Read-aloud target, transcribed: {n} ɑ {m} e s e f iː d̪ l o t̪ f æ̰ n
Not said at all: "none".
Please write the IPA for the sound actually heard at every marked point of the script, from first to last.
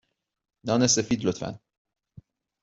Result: n, n

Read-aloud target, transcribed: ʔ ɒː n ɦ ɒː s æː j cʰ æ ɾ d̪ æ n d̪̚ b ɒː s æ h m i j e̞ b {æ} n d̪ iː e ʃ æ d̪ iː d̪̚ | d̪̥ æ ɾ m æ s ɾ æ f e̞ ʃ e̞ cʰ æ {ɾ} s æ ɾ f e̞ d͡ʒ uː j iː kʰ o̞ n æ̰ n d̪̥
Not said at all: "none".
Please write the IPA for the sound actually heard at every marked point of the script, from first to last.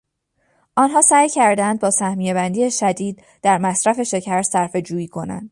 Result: æ, ɾ

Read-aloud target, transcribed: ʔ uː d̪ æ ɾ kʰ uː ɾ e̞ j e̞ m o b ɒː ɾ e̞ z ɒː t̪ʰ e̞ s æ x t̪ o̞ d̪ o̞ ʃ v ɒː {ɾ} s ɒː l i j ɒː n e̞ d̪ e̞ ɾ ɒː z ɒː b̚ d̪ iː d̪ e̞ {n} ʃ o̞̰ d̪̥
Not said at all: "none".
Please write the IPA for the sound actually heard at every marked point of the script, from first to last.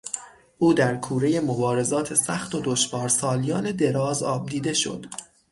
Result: ɾ, none

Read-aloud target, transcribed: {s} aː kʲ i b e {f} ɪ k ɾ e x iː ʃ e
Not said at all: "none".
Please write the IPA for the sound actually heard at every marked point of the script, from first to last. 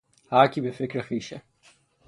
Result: h, f

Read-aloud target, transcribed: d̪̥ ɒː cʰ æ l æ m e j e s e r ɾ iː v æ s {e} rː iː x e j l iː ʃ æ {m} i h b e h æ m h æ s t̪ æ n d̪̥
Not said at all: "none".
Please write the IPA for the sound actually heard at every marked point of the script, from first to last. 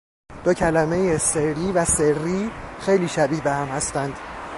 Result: e, b

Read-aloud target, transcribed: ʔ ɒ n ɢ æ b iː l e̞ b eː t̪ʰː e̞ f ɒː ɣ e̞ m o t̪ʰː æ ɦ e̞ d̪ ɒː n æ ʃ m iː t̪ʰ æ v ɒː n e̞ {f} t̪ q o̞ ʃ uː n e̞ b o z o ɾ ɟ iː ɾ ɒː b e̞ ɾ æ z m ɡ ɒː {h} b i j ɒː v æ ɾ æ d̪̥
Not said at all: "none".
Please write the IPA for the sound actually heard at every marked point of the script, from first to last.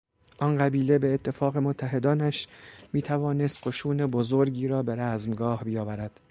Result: s, h

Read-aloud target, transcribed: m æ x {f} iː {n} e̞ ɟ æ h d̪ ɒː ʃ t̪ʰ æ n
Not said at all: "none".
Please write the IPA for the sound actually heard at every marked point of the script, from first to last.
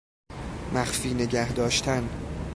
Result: f, n

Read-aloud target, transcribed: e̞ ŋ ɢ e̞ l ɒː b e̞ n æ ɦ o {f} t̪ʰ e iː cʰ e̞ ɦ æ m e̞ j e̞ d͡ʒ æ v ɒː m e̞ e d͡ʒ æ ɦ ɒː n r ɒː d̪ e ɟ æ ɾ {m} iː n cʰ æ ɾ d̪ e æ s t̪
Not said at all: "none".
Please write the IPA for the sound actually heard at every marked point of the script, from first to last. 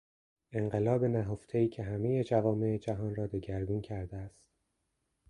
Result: f, b

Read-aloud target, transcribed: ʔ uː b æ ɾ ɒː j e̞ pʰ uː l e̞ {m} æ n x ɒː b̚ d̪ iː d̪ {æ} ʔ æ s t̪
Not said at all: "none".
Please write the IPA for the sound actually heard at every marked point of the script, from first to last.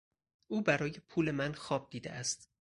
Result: m, e

